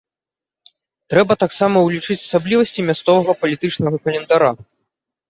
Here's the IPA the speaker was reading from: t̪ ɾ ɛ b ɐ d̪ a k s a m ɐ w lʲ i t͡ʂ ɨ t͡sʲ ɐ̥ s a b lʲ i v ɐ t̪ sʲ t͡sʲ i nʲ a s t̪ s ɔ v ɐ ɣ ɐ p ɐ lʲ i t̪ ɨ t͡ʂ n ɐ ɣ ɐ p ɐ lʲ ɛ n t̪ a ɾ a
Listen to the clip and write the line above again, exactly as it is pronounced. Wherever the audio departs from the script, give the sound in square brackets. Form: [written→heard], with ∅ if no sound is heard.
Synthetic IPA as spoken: t̪ ɾ ɛ b ɐ [d̪→t̪] a k s a m ɐ w lʲ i t͡ʂ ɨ t͡sʲ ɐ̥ s a b lʲ i v ɐ [t̪→∅] sʲ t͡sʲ i [nʲ→mʲ] a s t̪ s ɔ v ɐ ɣ ɐ p ɐ lʲ i t̪ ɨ t͡ʂ n ɐ ɣ ɐ [p→k] ɐ lʲ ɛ n [t̪→d̪] a ɾ a